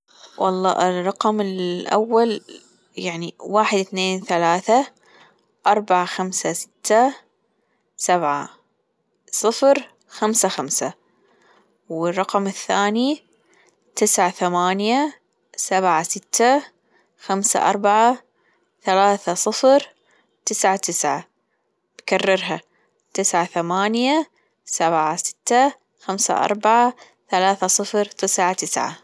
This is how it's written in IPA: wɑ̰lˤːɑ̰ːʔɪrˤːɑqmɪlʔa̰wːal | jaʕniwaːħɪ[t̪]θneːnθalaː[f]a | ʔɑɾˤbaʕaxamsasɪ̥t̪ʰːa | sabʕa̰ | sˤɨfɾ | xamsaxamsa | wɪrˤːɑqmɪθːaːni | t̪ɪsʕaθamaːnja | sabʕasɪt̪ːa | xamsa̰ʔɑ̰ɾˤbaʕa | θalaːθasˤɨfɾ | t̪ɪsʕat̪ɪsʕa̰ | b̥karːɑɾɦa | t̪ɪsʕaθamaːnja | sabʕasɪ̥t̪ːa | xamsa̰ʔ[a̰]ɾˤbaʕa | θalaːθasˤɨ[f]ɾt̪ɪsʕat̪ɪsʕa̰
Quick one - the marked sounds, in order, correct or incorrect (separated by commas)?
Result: incorrect, incorrect, incorrect, correct